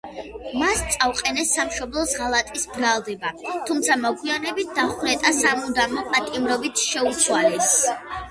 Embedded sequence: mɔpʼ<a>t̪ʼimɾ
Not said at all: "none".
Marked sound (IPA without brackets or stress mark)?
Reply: a